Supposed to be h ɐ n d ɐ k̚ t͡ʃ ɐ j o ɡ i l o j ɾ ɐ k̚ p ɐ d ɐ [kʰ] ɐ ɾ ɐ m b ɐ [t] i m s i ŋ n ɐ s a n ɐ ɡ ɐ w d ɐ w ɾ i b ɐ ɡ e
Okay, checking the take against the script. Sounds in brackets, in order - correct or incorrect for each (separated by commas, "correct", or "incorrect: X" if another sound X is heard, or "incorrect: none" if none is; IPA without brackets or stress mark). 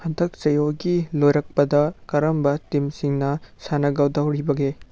incorrect: k, correct